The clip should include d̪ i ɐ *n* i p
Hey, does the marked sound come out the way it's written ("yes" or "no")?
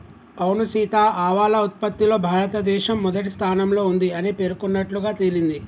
yes